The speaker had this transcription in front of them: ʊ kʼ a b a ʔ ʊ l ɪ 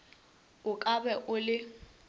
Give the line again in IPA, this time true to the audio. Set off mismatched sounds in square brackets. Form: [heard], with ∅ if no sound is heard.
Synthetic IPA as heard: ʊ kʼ a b [ɛ] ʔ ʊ l ɪ